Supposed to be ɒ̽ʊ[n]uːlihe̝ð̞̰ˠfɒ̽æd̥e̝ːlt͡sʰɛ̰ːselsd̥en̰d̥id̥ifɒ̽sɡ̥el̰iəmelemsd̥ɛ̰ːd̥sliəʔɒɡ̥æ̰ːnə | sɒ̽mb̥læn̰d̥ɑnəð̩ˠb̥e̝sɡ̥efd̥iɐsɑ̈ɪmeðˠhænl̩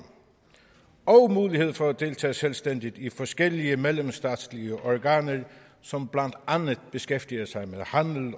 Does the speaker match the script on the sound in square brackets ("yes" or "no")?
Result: no